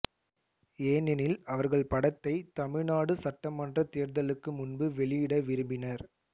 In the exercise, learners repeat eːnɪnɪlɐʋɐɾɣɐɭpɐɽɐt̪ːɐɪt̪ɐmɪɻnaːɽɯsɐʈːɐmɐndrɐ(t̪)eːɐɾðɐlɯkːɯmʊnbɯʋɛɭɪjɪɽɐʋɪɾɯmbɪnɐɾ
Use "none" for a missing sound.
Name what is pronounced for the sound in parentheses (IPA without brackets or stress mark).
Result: t̪